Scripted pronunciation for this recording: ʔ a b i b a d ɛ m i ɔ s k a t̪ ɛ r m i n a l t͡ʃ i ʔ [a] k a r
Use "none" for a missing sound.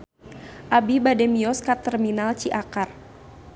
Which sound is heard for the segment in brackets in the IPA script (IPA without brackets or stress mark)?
a